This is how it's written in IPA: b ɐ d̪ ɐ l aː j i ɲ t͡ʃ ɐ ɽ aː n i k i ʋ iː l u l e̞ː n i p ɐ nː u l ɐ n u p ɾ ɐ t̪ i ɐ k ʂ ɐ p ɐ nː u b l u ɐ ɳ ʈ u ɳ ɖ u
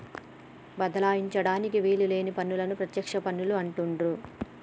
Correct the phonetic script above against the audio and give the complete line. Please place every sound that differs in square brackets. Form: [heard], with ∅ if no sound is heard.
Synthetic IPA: b ɐ d̪ ɐ l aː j i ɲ t͡ʃ ɐ ɽ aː n i k i ʋ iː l u l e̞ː n i p ɐ nː u l ɐ n u p ɾ ɐ t̪ [j] ɐ k ʂ ɐ p ɐ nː u [∅] l u ɐ ɳ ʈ u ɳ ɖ u